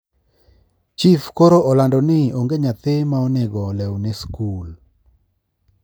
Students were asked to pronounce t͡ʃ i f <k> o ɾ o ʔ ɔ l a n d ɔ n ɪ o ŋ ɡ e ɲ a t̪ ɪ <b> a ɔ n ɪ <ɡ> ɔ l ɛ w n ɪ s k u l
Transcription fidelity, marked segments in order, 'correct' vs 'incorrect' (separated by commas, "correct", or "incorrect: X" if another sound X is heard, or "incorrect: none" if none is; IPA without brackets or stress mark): correct, incorrect: m, correct